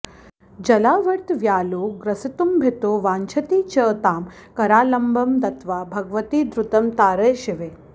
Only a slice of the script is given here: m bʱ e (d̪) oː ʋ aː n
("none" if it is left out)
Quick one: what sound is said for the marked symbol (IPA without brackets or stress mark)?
t̪